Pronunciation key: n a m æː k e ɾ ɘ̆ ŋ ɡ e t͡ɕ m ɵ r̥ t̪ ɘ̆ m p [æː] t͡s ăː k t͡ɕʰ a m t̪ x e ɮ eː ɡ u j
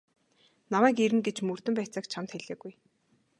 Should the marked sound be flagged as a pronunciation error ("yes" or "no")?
no